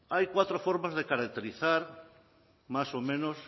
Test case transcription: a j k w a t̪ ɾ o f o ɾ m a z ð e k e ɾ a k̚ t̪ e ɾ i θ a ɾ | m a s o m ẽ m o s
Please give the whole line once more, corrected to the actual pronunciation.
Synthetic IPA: a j k w a t̪ ɾ o f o ɾ m a z ð e k a ɾ a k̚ t̪ e ɾ i θ a ɾ | m a s o m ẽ n o s